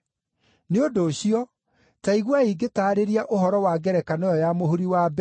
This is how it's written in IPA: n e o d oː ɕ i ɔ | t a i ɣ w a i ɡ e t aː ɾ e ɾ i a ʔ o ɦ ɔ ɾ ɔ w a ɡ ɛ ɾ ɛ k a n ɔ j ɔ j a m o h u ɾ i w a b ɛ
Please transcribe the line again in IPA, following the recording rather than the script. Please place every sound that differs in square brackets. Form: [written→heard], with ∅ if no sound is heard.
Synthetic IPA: n e o d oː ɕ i ɔ | t a i ɣ w a i ɡ e t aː ɾ e ɾ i a ʔ o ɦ ɔ ɾ ɔ w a ɡ ɛ ɾ ɛ k a n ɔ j ɔ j a m o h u ɾ i w a b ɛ

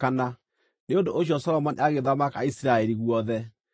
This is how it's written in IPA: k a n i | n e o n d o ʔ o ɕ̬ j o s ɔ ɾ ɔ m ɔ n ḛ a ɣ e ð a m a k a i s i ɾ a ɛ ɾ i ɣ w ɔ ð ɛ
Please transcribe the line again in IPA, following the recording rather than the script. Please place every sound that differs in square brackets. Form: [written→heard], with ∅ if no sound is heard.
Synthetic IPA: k a n [i→a] | n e o n d o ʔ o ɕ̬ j [o→ɔ] s ɔ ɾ ɔ m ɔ n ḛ a ɣ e ð a m a k a i s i ɾ a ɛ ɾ i ɣ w ɔ ð ɛ

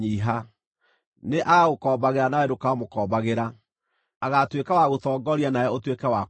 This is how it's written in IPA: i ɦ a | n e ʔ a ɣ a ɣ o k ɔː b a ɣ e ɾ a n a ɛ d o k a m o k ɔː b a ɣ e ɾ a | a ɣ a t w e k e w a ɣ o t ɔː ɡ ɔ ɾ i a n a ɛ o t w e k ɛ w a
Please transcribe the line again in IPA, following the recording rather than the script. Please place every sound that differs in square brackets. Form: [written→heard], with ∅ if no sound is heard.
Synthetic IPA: i ɦ a | n e ʔ a ɣ a ɣ o k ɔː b a ɣ e ɾ a n a ɛ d o k a m o k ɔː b a ɣ e ɾ a | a ɣ a t w e k [e→a] w a ɣ o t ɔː ɡ ɔ ɾ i a n a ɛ o t w e k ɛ w a

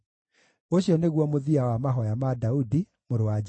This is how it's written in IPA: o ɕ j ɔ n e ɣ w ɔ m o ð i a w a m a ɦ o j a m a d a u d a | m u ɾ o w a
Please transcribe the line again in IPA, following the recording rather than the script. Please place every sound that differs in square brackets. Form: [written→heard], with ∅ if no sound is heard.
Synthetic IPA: o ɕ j ɔ n e ɣ w ɔ m o ð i a w a m a ɦ [o→ɔ] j a m a d a u d [a→i] | m [u→o] ɾ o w a

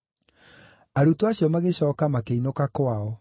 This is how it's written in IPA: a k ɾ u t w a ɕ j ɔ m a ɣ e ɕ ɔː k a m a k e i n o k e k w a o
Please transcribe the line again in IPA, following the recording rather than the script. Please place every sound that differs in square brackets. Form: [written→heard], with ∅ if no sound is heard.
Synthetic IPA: a [k→∅] ɾ u t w a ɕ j ɔ m a ɣ e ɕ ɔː k a m a k e i n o k [e→a] k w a [o→ɔ]

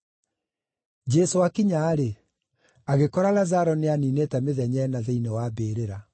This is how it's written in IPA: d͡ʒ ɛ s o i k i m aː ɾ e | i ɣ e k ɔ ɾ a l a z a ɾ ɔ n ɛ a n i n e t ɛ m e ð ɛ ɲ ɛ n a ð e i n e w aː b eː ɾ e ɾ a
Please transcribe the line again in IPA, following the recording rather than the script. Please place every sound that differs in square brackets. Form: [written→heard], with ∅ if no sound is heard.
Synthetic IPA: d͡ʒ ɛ s o [i→a] k i [m→ɲ] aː ɾ e | [i→a] ɣ e k ɔ ɾ a l a z a ɾ ɔ n [ɛ→e] a n i n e t ɛ m e ð ɛ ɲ ɛ n a ð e i n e w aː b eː ɾ e ɾ a

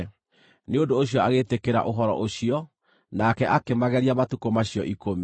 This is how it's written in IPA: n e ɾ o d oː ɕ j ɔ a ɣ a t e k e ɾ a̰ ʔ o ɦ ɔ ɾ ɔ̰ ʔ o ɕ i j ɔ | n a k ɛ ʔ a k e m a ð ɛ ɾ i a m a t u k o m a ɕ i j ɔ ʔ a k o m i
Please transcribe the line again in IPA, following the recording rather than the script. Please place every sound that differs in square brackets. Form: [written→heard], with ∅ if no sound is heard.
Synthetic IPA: n e [ɾ→∅] o d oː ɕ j ɔ a ɣ [a→e] t e k e ɾ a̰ ʔ o ɦ ɔ ɾ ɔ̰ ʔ o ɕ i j ɔ | n a k ɛ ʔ a k e m a [ð→ɣ] ɛ ɾ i a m a t u k o m a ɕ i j ɔ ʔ [a→i] k o m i

